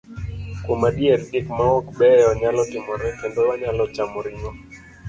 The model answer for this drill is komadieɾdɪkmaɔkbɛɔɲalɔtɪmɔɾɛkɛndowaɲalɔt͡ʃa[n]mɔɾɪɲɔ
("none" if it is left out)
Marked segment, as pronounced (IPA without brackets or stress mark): none